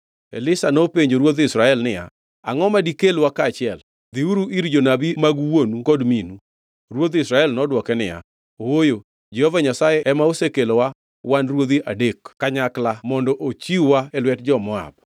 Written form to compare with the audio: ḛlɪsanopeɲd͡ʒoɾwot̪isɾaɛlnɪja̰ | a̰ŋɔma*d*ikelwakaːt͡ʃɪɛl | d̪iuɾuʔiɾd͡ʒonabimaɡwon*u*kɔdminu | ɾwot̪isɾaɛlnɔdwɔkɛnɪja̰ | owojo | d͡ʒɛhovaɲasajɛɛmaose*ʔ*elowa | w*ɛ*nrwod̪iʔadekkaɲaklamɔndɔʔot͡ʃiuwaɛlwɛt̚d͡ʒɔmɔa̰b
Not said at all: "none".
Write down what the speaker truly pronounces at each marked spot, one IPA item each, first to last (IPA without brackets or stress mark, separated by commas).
d, u, k, a